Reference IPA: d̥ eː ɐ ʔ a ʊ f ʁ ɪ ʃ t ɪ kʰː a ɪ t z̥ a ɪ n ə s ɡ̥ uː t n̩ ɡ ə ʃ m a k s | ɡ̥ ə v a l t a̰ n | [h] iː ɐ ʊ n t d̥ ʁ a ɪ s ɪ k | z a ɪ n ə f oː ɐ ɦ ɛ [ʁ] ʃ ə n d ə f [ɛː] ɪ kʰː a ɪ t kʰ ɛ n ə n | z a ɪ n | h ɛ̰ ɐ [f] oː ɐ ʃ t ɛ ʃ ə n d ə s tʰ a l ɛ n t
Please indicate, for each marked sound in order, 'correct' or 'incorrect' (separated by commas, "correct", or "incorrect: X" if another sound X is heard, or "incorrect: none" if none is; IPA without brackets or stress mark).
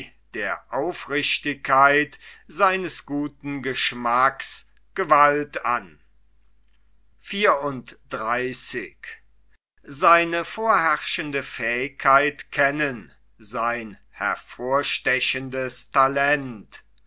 incorrect: f, correct, correct, correct